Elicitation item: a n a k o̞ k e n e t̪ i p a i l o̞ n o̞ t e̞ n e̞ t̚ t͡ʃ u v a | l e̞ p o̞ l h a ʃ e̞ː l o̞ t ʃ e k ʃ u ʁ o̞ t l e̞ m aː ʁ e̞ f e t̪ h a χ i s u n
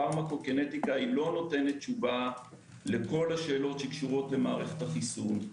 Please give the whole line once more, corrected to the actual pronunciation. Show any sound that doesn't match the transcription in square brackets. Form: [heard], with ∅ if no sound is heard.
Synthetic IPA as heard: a [m] a k o̞ k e n e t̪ i [k] a i l o̞ n o̞ t e̞ n e̞ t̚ t͡ʃ u v a | l e̞ [k] o̞ l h a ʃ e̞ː l o̞ t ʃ e k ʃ u ʁ o̞ t l e̞ m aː ʁ e̞ [χ] e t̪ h a χ i s u n